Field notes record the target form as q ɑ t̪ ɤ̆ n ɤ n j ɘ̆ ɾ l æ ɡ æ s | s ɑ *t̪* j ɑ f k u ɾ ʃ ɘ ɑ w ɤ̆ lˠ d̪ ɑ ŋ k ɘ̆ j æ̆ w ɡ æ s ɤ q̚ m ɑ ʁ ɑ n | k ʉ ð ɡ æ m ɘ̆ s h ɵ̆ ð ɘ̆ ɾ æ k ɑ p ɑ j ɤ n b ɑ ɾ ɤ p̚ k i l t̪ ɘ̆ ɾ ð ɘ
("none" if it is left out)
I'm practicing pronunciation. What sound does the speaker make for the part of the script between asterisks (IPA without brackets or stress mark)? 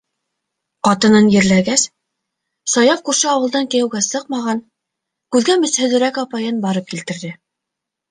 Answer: none